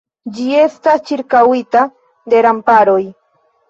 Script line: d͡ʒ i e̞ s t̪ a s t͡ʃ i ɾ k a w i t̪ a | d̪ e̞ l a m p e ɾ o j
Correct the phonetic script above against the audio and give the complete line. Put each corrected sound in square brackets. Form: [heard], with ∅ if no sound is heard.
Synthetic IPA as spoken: d͡ʒ i e̞ s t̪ a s t͡ʃ i ɾ k a w i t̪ a | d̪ e̞ [ɾ] a m p [a] ɾ o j